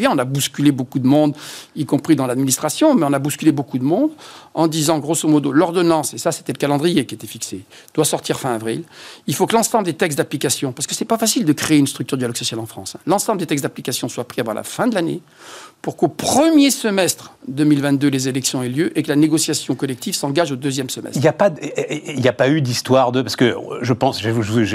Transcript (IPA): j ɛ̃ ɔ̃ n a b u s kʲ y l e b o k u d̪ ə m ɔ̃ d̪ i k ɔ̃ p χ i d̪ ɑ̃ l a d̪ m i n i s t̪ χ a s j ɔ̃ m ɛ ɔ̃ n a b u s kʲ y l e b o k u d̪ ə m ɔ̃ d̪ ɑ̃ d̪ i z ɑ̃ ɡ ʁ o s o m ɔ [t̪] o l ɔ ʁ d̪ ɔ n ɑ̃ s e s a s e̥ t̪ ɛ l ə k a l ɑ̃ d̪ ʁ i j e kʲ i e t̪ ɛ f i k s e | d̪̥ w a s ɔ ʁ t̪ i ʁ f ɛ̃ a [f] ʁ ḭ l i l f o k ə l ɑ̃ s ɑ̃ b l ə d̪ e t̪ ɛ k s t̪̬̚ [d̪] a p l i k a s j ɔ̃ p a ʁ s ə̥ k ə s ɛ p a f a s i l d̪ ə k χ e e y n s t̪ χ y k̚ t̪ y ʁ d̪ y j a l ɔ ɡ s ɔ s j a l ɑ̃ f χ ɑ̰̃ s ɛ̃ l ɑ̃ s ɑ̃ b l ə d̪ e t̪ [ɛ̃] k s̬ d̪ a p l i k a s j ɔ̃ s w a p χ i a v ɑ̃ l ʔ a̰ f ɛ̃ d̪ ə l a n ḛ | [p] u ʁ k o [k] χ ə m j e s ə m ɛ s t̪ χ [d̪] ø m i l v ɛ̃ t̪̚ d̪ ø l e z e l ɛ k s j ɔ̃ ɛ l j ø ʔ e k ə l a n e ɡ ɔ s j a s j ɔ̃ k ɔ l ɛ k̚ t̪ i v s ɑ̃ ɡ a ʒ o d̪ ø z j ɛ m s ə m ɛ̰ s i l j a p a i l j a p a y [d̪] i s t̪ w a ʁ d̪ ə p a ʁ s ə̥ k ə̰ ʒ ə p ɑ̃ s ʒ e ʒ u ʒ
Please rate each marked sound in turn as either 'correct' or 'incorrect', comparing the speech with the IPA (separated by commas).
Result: incorrect, incorrect, correct, incorrect, correct, incorrect, correct, correct